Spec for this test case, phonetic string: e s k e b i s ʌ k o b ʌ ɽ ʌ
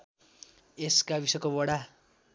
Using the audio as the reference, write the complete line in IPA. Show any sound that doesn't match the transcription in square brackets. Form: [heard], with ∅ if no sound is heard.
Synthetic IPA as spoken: e s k [a] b i s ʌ k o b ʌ ɽ [a]

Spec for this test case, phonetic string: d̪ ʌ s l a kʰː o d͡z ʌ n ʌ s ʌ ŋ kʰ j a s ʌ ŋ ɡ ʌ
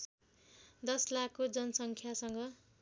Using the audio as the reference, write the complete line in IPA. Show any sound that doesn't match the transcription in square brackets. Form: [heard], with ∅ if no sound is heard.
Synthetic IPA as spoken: d̪ ʌ s l a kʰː o d͡z ʌ n ʌ s ʌ ŋ kʰ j a s ʌ ŋ ɡ ʌ

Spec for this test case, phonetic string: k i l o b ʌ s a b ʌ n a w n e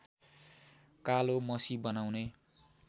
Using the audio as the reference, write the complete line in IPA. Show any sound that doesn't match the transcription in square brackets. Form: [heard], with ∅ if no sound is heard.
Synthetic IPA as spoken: k [a] l o [m] ʌ s [i] b ʌ n a w n e

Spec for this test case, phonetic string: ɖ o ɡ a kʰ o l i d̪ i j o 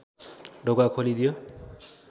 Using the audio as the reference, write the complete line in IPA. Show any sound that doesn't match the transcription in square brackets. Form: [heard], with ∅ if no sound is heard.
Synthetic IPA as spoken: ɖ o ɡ a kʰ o l i d̪ i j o

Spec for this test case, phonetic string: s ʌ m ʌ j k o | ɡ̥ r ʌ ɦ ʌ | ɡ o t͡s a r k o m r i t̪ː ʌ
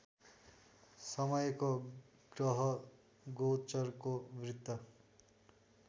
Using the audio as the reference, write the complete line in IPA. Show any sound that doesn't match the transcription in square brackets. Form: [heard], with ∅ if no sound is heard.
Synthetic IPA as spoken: s ʌ m ʌ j k o | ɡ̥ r ʌ ɦ ʌ | ɡ o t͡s [ʌ] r k o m r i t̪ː ʌ

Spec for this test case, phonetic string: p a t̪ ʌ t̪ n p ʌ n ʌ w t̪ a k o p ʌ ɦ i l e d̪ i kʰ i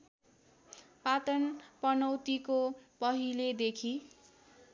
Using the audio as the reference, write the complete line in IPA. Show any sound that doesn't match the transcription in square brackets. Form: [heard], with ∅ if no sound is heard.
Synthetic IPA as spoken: p a t̪ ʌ [∅] n p ʌ n ʌ w t̪ [i] k o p ʌ ɦ i l e d̪ [e] kʰ i

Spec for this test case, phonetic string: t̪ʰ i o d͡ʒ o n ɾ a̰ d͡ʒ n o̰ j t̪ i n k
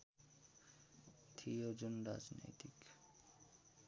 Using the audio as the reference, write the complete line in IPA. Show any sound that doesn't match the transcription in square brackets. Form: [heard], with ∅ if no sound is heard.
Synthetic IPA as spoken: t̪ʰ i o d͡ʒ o n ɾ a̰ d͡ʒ n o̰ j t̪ i [∅] k

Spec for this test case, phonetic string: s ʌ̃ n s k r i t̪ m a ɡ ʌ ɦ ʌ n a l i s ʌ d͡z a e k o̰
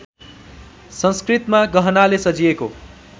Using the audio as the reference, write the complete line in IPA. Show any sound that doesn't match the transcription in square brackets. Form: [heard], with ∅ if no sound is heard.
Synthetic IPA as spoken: s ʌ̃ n s k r i t̪ m a ɡ ʌ ɦ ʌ n a l [e] s ʌ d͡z [i] e k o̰

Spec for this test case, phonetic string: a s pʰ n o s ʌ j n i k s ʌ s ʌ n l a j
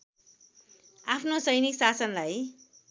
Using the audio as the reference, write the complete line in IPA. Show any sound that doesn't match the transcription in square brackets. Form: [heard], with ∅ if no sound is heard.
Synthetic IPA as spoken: a [∅] pʰ n o s ʌ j n i k s [a] s ʌ n l a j

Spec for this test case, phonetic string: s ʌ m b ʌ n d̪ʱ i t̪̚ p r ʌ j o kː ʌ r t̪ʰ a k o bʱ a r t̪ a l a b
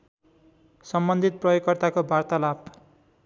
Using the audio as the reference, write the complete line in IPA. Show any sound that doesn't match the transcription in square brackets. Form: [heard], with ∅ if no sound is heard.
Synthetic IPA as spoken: s ʌ m b ʌ n d̪ʱ i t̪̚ p r ʌ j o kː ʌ r [t̪] a k o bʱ a r t̪ a l a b

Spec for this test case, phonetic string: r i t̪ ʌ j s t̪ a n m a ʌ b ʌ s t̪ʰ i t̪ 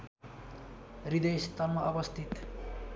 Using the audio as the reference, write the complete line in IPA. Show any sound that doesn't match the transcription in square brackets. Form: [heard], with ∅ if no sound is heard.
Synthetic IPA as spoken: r i [d̪] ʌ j s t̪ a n m a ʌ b ʌ s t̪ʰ i t̪

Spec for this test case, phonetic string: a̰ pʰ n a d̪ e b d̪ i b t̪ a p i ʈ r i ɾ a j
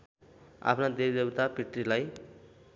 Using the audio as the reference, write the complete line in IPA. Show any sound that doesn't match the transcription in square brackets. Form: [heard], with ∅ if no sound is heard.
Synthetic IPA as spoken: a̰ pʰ n a d̪ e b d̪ [e] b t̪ a p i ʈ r i [l] a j

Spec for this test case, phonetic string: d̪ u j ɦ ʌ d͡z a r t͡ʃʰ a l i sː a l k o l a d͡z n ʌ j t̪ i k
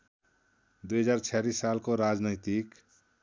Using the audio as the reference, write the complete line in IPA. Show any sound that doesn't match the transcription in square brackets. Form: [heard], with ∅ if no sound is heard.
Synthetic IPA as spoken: d̪ u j ɦ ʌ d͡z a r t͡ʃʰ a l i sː a l k o [ɾ] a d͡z n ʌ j t̪ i k

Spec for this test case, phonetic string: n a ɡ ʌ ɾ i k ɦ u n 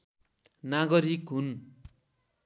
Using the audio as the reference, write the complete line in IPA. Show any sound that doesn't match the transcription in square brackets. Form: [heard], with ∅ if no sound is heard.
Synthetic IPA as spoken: n a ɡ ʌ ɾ i k ɦ u n

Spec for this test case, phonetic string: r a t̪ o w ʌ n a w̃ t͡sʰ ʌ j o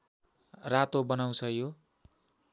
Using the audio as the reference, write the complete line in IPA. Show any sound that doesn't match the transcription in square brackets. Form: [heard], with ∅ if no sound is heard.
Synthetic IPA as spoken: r a t̪ o [b] ʌ n a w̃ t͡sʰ ʌ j o

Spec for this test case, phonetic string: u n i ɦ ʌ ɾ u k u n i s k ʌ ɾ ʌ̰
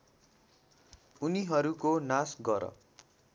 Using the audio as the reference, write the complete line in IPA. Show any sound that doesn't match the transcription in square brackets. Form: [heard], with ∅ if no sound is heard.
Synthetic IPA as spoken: u n i ɦ ʌ ɾ u k [o] n [a] s [ɡ] ʌ ɾ ʌ̰

